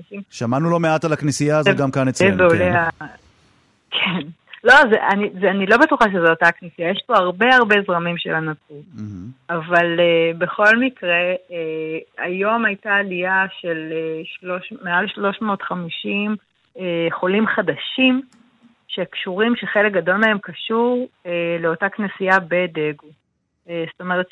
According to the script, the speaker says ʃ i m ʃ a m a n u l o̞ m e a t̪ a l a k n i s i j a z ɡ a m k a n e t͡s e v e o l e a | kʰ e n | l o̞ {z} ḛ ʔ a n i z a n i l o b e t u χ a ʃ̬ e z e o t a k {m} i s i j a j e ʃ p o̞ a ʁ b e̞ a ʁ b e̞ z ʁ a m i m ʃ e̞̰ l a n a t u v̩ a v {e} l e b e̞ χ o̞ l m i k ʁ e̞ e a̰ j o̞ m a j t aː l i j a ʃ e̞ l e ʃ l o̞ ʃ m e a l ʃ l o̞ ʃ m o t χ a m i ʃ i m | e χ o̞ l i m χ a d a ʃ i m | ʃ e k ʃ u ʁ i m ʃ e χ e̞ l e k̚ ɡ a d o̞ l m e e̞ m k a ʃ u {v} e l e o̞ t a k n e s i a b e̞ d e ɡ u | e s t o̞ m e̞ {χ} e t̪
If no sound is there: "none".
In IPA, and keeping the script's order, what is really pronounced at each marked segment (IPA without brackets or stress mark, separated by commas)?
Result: z, n, a, ʁ, ʁ